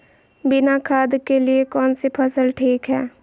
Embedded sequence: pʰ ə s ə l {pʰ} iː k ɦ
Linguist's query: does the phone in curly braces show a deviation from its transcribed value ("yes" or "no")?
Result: yes